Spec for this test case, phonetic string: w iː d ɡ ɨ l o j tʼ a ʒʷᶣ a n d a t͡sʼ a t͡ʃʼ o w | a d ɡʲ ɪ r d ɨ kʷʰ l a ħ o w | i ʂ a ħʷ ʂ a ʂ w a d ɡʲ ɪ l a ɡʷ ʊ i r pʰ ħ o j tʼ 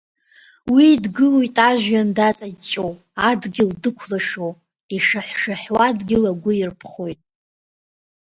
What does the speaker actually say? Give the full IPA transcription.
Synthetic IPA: w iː d ɡ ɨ l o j tʼ a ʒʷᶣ a n d a t͡sʼ a t͡ʃʼ o w | a d ɡʲ ɪ l d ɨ kʷʰ l a ʂ o w | i ʂ a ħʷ ʂ a ħ w a d ɡʲ ɪ l a ɡʷ ʊ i r pʰ χ o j tʼ

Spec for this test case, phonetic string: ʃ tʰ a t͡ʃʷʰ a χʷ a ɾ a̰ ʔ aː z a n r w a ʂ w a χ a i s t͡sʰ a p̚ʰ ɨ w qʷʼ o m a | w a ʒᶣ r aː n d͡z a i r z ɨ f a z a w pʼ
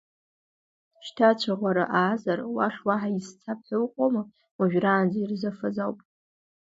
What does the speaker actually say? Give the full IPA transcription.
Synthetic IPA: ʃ tʰ a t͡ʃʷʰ a ʁʷ a ɾ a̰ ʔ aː z a r w a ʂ w a ħ a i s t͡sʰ a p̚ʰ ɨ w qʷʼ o m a | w a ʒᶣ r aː n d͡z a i r z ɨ f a z a w pʼ

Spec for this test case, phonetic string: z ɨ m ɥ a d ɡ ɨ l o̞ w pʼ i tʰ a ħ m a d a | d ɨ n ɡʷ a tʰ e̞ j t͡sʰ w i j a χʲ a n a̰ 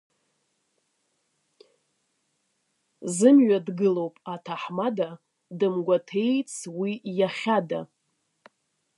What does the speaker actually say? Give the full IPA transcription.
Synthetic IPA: z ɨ m ɥ a d ɡ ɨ l o̞ w pʼ a tʰ a ħ m a d a | d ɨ m ɡʷ a tʰ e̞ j t͡sʰ w i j a χʲ a d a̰

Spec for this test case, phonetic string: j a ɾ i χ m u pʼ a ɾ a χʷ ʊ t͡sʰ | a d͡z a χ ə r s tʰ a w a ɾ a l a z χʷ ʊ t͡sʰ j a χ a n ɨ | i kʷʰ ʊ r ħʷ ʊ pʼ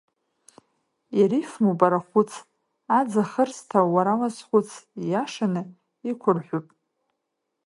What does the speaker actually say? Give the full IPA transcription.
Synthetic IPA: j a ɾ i f m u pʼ a ɾ a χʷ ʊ t͡sʰ | a d͡z a χ ə r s tʰ a w a ɾ a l a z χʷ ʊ t͡sʰ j a ʂ a n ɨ | i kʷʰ ʊ r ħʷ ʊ pʼ

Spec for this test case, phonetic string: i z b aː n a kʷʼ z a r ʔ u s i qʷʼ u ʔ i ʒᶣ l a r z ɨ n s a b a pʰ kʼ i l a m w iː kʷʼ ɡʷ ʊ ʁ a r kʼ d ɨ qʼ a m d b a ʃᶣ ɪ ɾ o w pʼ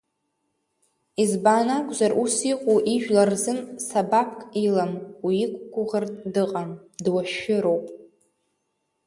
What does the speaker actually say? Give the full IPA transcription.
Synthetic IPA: i z b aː n a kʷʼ z a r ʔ u s i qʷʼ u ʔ i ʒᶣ l a r z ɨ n s a b a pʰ kʼ i l a m w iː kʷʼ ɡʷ ʊ ʁ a r tʼ d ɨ qʼ a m d w a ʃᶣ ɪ ɾ o w pʼ

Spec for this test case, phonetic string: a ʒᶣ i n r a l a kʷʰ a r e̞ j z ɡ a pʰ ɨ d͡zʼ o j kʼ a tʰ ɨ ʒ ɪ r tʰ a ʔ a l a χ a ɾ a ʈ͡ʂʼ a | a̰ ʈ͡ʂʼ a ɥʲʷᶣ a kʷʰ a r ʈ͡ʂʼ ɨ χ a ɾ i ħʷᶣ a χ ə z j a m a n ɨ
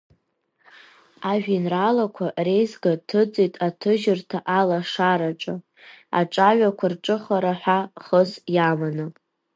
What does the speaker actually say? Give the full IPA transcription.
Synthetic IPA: a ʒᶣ i n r a l a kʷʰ a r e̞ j z ɡ a tʰ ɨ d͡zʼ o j tʼ a tʰ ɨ ʒ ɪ r tʰ a ʔ a l a ʂ a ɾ a ʈ͡ʂʼ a | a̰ ʈ͡ʂʼ a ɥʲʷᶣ a kʷʰ a r ʈ͡ʂʼ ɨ χ a ɾ a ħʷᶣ a χ ə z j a m a n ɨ

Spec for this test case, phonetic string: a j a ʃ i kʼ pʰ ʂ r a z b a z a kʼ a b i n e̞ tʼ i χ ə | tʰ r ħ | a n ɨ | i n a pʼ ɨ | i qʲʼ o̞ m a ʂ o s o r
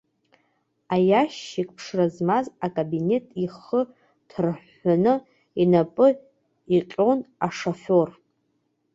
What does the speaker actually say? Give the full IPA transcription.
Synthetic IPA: a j a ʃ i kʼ pʰ ʂ r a z m a z a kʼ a b i n e̞ tʼ i χ ə | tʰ r ħ | a n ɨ | i n a pʼ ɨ | i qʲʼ o̞ n a ʂ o f o r

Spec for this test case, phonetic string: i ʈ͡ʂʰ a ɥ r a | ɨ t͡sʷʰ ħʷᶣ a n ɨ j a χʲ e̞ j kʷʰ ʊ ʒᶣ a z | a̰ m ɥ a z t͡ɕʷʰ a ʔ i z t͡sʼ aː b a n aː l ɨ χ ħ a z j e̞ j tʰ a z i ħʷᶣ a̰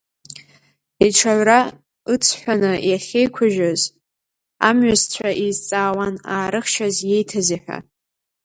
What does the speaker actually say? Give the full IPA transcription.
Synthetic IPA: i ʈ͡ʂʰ a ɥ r a | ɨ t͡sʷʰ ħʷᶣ a n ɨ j a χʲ e̞ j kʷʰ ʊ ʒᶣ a z | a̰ m ɥ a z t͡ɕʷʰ a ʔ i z t͡sʼ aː w a n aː ɾ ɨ χ ʃ a z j e̞ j tʰ a z i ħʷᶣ a̰

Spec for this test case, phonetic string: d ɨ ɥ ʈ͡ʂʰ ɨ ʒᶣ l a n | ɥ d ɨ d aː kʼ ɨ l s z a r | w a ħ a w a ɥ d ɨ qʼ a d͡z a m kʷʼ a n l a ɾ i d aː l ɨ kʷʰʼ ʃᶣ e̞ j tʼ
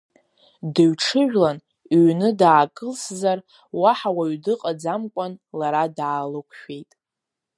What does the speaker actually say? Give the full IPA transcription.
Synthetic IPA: d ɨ ɥ ʈ͡ʂʰ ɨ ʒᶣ l a n | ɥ n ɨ d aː kʼ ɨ l s z a r | w a ħ a w a ɥ d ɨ qʼ a d͡z a m kʷʼ a n l a ɾ a d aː l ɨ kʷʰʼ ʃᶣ e̞ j tʼ

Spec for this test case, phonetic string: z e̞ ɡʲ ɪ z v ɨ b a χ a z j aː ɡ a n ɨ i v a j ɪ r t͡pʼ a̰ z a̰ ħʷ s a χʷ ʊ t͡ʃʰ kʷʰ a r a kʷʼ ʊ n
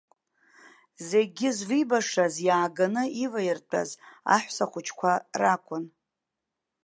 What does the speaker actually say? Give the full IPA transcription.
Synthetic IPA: z e̞ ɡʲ ɪ z v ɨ b a ʂ a z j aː ɡ a n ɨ i v a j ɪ r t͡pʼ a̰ z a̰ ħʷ s a χʷ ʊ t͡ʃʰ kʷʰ a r a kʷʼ ʊ n

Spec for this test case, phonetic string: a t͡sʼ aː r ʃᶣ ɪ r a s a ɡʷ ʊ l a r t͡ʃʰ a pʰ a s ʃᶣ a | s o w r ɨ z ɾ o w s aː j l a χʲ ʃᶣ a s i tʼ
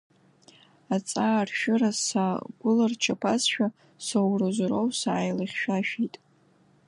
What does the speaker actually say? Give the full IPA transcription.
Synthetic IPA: a t͡sʼ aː r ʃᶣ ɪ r a s a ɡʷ ʊ l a r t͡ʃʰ a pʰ a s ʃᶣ a | s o w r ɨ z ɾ o w s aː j l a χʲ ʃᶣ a ʃ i tʼ

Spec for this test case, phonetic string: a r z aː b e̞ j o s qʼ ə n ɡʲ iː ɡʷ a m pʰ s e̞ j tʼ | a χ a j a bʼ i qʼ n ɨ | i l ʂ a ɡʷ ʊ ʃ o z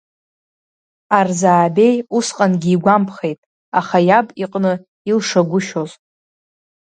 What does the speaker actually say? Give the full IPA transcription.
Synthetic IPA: a r z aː b e̞ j u s qʼ a n ɡʲ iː ɡʷ a m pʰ χ e̞ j tʼ | a χ a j a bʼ i qʼ n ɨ | i l ʂ a ɡʷ ʊ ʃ o z

